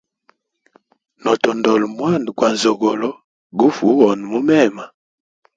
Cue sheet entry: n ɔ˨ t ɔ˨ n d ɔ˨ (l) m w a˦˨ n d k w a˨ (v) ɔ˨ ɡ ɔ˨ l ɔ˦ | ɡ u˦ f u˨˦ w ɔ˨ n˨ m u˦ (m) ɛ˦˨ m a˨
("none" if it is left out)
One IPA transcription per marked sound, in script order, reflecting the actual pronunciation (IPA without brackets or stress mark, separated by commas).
l, z, m